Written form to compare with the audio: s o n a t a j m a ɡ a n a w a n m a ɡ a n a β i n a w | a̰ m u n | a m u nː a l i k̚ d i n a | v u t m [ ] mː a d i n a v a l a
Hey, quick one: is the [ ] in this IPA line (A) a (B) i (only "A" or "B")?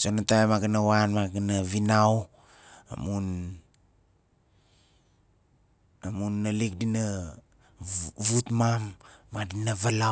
A